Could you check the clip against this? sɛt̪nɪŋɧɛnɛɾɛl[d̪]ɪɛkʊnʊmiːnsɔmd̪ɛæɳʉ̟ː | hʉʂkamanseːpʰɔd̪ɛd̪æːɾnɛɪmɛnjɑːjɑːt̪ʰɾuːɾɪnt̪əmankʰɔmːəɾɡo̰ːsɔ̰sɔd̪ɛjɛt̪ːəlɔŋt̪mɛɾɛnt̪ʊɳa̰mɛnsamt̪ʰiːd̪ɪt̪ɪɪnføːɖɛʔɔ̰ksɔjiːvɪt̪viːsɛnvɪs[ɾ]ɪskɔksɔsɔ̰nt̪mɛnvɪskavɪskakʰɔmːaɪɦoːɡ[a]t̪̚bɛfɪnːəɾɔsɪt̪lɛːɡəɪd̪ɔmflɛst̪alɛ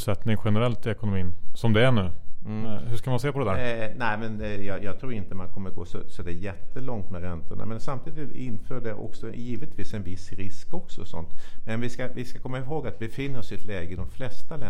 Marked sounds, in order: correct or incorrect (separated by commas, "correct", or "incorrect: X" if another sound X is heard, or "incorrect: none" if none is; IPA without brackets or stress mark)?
incorrect: t̪, correct, correct